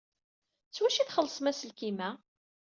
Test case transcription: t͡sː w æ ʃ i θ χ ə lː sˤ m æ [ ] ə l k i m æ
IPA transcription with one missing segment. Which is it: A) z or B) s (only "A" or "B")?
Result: B